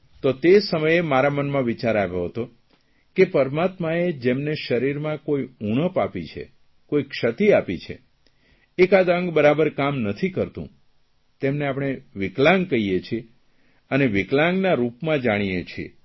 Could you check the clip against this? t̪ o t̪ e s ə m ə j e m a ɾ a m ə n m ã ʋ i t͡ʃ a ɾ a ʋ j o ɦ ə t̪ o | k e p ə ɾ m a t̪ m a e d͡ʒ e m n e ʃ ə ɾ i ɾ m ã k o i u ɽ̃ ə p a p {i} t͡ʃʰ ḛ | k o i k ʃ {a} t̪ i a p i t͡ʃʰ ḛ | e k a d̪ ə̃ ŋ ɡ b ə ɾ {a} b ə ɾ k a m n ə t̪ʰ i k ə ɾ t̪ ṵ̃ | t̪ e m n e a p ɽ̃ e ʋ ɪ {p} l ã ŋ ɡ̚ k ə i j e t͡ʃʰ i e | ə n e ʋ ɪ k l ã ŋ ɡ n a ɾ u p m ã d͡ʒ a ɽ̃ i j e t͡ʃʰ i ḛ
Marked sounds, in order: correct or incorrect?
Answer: correct, incorrect, correct, incorrect

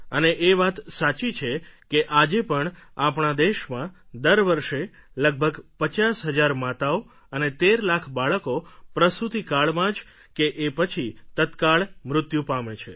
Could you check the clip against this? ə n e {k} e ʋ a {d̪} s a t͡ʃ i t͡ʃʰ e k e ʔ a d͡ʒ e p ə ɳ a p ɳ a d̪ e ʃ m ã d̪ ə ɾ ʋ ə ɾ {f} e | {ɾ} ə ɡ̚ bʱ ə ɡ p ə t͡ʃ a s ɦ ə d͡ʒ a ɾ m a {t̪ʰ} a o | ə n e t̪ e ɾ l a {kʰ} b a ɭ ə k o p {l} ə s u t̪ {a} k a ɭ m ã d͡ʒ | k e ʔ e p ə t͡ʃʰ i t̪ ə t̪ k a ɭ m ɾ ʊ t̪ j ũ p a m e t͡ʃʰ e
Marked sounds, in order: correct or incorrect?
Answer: incorrect, incorrect, incorrect, incorrect, incorrect, correct, incorrect, incorrect

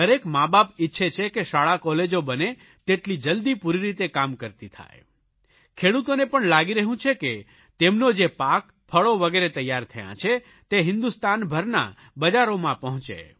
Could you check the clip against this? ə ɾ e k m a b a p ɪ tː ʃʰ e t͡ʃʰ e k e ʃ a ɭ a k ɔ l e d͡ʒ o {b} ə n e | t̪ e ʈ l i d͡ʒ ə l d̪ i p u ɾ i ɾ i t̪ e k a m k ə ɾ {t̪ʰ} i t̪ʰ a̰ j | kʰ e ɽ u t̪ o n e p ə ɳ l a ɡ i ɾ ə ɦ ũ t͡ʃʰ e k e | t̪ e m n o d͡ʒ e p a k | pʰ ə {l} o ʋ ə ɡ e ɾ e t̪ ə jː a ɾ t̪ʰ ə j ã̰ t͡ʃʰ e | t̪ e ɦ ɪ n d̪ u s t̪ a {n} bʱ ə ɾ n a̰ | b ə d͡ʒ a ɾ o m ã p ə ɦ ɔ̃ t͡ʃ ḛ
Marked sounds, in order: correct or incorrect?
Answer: correct, incorrect, incorrect, correct

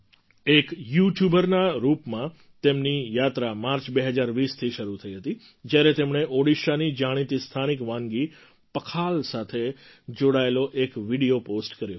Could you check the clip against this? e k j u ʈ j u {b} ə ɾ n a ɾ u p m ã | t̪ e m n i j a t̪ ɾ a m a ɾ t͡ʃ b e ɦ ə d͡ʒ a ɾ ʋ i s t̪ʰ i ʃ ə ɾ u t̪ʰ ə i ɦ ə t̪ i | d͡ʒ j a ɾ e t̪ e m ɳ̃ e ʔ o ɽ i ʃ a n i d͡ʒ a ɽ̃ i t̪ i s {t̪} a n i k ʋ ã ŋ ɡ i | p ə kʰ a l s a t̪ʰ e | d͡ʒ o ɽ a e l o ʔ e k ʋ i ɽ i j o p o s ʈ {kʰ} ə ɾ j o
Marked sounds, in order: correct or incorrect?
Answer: correct, incorrect, incorrect

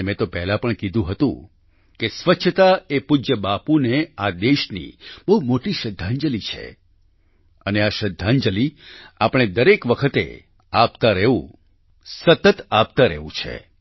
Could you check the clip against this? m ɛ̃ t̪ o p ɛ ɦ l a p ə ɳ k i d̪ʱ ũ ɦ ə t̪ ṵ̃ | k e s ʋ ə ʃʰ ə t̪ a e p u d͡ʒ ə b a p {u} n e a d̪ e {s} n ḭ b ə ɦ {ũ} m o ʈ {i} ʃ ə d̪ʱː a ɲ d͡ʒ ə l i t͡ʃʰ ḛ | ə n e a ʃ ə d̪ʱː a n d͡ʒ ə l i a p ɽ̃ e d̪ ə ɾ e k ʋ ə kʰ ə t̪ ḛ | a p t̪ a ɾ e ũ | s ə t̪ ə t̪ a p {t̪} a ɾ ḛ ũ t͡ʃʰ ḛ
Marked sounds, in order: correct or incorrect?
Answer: correct, incorrect, incorrect, correct, correct

